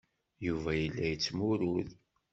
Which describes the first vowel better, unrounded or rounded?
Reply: rounded